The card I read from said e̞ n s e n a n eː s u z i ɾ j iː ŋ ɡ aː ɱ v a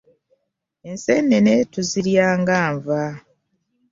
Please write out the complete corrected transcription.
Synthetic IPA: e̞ n s e n e n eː t u z i ɾ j aː ŋ ɡ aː ɱ v a